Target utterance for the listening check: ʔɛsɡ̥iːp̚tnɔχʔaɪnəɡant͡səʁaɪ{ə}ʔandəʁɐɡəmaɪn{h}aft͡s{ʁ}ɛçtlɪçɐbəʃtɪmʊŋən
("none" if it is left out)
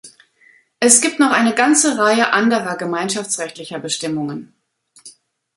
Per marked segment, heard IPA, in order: ə, ʃ, ʁ

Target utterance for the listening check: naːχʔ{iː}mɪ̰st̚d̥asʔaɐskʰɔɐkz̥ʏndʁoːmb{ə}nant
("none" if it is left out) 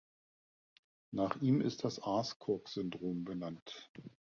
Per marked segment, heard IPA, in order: iː, ə

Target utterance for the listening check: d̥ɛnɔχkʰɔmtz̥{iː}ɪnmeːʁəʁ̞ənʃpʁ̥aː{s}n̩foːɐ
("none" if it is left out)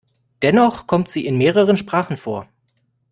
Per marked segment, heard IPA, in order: iː, χ

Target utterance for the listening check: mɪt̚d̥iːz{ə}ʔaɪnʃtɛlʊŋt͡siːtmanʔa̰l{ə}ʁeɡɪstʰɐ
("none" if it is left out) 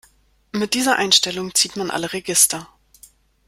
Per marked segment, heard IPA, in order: ɐ, ə

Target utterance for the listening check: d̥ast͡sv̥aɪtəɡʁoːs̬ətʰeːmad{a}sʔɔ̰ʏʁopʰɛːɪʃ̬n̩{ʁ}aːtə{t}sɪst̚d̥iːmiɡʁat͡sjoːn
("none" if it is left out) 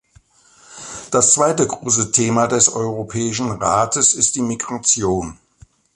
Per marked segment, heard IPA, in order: ɛ, ʁ, none

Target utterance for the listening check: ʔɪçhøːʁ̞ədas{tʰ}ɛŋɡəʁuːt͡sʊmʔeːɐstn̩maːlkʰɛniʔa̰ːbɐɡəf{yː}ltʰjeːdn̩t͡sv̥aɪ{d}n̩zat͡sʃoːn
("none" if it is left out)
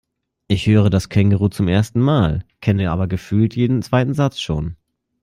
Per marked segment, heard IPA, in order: kʰ, yː, t

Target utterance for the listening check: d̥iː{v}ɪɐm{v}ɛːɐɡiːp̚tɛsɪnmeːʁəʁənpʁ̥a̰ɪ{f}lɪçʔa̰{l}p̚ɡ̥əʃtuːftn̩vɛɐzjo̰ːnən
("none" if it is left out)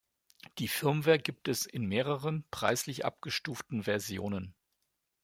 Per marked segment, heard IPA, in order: f, v, s, none

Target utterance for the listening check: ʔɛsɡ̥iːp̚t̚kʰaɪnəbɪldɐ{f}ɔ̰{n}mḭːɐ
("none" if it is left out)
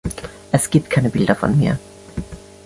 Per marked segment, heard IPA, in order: f, n

